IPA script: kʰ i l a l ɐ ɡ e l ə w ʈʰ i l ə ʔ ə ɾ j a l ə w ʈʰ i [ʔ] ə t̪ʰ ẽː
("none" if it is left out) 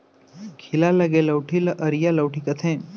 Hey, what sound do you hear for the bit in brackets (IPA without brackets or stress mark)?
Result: k